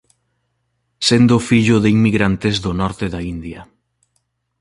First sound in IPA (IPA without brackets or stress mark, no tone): s